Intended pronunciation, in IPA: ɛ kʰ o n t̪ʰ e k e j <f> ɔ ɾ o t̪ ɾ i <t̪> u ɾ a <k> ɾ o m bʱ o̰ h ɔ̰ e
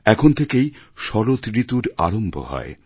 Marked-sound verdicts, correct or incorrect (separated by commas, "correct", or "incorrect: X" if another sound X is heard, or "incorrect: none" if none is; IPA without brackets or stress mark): incorrect: ʃ, correct, incorrect: none